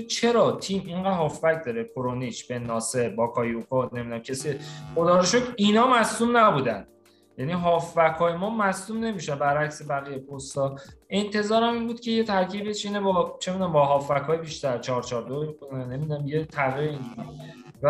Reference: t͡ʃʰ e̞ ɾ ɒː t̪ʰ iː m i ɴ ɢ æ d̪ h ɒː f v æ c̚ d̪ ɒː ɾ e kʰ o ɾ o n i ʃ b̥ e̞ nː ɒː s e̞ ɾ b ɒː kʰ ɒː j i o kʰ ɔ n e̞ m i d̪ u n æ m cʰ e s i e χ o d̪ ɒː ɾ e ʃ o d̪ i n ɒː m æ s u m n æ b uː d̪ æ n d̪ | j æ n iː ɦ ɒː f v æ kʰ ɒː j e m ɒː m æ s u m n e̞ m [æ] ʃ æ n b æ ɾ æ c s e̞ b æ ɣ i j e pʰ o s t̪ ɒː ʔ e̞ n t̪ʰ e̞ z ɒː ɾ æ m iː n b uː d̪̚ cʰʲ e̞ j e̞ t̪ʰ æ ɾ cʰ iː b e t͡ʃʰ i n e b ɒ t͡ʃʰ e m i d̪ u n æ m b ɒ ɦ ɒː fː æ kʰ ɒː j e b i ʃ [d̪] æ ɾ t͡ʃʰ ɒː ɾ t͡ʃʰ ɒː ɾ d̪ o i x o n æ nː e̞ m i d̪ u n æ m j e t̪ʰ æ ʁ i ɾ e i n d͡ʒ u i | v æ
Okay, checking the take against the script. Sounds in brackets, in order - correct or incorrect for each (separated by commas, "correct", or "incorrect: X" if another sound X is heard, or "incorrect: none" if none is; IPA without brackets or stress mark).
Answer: incorrect: i, incorrect: t̪